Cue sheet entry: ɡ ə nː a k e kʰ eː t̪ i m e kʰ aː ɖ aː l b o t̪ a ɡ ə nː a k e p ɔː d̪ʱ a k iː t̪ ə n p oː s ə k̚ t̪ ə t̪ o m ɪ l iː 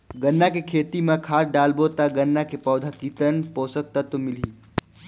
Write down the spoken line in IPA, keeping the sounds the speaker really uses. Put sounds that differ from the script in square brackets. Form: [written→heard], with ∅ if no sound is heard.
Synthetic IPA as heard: ɡ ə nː a k e kʰ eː t̪ i m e kʰ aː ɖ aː l b o t̪ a ɡ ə nː a k e p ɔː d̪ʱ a k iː t̪ ə n p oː s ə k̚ t̪ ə t̪ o m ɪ l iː